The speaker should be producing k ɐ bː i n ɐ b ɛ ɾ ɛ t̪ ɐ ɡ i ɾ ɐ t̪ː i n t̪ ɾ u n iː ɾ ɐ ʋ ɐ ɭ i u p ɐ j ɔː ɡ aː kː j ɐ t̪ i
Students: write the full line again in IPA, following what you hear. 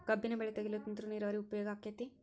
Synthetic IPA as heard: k ɐ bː i n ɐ b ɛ ɭ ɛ t̪ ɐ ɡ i l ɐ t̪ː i n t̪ ɾ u n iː ɾ ɐ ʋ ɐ ɾ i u p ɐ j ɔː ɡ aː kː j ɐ t̪ i